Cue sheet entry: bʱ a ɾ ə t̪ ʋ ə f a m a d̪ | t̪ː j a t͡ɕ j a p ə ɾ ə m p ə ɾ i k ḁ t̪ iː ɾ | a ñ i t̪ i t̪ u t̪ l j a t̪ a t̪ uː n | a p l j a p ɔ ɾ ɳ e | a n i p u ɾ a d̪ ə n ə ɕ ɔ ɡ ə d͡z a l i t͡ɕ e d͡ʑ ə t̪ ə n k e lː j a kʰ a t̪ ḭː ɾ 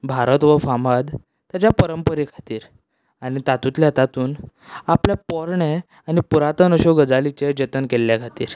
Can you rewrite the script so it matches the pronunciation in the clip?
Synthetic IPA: bʱ a ɾ ə t̪ ʋ ə f a m a d̪ | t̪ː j a t͡ɕ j a p ə ɾ ə m p ə ɾ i kʰ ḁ t̪ iː ɾ | a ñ i t̪ a t̪ u t̪ l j a t̪ a t̪ uː n | a p l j a p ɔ ɾ ɳ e | a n i p u ɾ a t̪ ə n ə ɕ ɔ ɡ ə d͡z a l i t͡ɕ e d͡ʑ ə t̪ ə n k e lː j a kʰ a t̪ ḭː ɾ